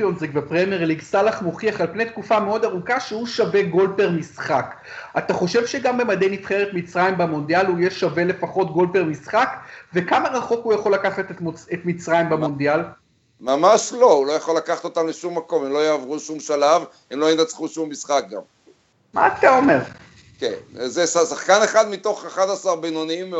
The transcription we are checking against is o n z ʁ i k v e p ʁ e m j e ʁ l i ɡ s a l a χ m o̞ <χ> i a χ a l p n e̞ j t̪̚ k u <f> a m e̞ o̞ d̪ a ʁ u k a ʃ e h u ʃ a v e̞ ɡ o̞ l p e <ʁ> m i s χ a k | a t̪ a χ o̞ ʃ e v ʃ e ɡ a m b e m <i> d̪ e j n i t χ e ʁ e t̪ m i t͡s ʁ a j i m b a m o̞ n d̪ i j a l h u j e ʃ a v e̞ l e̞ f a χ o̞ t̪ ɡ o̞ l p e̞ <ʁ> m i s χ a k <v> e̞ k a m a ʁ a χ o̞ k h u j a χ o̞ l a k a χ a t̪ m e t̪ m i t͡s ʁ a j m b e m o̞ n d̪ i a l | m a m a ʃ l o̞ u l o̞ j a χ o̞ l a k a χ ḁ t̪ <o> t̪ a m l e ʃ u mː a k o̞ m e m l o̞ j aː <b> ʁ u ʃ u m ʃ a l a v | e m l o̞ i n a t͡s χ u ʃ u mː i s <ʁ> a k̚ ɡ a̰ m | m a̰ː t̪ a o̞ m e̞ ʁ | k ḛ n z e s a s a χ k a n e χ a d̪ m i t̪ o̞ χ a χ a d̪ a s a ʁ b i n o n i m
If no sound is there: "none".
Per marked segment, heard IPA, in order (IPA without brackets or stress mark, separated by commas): χ, f, ʁ, a, ʁ, v, o, v, χ